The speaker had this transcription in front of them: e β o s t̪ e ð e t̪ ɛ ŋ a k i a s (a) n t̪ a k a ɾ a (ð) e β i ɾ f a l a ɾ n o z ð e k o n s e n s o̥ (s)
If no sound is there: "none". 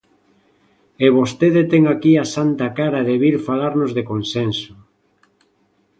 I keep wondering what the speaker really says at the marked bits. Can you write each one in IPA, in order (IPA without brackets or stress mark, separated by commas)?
a, ð, none